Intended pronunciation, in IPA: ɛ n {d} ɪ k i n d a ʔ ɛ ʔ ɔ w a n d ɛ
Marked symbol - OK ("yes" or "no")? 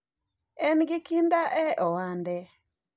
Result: no